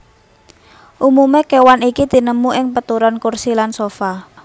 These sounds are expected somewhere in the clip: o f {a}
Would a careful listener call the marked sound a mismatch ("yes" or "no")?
no